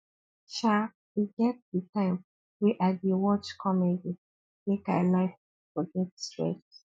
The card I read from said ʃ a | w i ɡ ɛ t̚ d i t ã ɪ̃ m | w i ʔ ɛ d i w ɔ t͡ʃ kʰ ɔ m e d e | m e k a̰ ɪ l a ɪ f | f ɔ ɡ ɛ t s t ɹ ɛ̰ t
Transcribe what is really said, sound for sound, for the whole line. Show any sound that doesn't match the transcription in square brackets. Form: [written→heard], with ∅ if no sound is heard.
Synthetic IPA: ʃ a | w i ɡ ɛ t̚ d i t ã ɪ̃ m | w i ʔ [ɛ→a] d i w ɔ t͡ʃ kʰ ɔ m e d [e→i] | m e k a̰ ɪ l a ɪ f | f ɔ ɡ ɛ t s t ɹ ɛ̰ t